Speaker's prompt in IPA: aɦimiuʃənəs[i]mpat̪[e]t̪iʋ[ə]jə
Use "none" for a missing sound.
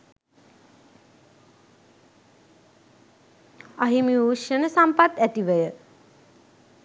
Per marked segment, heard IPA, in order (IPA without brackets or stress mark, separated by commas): a, æ, ə